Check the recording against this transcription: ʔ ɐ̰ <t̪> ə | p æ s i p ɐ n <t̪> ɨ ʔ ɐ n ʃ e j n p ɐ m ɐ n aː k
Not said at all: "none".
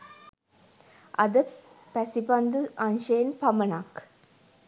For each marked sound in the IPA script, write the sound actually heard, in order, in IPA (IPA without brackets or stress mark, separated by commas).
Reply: d̪, d̪